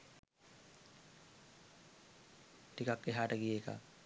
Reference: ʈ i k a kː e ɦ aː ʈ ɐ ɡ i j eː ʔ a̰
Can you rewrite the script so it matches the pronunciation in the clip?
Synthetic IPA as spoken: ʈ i k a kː e ɦ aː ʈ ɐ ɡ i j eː k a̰